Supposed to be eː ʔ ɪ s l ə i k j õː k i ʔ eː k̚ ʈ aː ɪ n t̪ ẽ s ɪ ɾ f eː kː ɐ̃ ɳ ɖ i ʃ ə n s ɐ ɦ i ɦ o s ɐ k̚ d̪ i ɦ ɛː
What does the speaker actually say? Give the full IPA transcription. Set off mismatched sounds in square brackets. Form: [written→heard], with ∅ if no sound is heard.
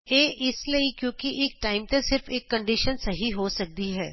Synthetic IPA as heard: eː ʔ ɪ s l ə i k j õː k i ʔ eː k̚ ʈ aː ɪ [n→m] t̪ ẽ s ɪ ɾ f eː kː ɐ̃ ɳ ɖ i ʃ ə n s ɐ ɦ i ɦ o s ɐ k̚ d̪ i ɦ ɛː